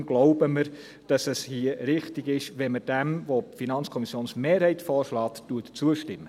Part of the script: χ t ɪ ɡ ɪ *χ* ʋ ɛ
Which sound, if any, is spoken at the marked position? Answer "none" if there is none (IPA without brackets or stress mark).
ʃ